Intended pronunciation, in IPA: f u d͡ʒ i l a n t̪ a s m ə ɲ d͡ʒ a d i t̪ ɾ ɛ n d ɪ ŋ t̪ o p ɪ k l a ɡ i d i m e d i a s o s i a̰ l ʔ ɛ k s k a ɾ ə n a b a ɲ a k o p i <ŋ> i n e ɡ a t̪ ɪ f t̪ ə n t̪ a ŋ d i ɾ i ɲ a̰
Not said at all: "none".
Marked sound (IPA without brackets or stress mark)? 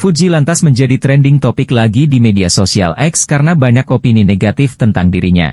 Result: n